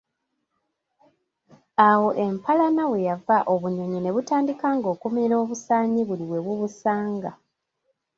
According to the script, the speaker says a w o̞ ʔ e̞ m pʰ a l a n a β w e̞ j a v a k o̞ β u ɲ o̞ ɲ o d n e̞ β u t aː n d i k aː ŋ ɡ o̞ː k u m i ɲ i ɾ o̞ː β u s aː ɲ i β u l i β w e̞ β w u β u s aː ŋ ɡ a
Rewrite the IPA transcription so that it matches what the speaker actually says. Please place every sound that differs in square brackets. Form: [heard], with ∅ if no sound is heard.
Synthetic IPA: a w o̞ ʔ e̞ m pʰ a l a n a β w e̞ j a v a [ʔ] o̞ β u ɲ o̞ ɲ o [∅] n e̞ β u t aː n d i k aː ŋ ɡ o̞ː k u m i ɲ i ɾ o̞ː β u s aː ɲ i β u l i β w e̞ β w u β u s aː ŋ ɡ a